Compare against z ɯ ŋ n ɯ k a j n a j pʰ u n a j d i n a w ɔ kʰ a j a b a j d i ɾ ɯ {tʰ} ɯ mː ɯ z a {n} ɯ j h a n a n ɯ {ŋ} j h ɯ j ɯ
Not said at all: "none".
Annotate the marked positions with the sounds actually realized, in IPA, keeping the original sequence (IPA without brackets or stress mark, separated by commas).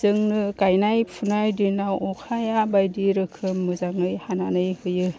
kʰ, ŋ, none